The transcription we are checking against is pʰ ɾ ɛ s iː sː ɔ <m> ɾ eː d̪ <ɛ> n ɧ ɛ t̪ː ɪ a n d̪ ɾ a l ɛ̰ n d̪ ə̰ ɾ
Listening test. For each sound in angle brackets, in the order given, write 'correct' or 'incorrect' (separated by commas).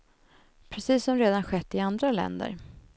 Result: correct, incorrect